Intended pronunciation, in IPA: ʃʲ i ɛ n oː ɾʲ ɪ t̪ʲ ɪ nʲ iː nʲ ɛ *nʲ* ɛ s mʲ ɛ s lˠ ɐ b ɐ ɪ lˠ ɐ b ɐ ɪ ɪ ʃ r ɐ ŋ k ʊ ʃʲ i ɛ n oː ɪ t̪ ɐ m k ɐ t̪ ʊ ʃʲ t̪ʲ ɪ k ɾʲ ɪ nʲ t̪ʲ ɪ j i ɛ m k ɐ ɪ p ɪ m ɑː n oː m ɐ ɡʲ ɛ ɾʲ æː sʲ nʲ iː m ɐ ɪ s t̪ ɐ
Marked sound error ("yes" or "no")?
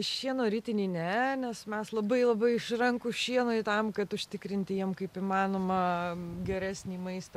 no